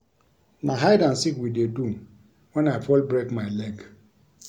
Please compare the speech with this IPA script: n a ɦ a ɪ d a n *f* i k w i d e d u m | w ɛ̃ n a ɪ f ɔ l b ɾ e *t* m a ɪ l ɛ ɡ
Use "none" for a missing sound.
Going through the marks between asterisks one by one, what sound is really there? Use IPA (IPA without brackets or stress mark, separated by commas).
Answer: s, k